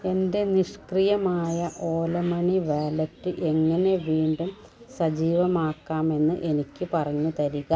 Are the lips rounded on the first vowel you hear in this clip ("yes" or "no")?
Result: no